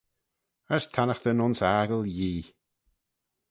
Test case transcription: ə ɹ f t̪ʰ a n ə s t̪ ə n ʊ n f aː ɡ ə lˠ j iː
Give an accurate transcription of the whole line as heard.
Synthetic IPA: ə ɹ s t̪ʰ a n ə x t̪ ə n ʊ n s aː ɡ ə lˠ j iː